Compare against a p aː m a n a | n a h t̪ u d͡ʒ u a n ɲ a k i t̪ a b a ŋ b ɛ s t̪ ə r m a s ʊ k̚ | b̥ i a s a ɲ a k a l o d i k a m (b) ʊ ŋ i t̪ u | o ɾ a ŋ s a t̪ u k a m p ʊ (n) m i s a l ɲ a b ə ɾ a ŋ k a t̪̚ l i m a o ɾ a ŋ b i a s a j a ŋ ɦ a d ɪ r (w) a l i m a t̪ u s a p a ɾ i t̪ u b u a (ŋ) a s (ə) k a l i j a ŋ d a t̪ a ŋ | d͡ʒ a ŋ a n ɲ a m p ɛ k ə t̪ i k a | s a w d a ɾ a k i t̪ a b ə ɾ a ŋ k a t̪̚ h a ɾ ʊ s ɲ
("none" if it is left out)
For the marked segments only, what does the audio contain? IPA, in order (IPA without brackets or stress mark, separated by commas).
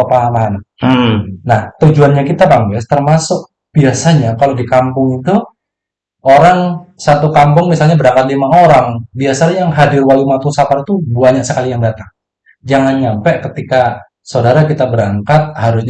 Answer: p, ŋ, w, ɲ, ə